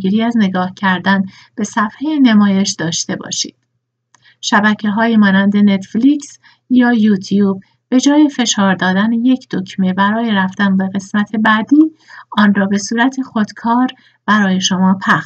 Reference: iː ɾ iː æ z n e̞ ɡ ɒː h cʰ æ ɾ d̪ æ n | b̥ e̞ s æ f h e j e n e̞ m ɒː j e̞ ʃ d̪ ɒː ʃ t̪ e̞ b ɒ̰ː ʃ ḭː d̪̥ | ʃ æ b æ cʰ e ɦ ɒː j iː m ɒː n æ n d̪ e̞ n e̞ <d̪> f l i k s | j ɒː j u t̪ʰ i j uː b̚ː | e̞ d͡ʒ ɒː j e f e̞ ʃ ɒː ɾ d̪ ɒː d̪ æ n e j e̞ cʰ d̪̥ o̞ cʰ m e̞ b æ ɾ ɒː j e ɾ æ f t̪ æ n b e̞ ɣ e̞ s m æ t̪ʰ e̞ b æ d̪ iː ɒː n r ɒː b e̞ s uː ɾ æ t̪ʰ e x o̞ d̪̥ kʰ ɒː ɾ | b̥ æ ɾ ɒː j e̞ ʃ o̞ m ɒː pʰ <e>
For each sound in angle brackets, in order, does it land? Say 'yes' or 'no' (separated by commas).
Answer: no, no